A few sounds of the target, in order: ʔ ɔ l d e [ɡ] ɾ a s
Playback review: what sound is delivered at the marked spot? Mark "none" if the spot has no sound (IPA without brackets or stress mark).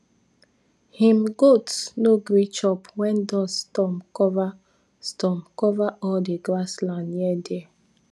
ɡ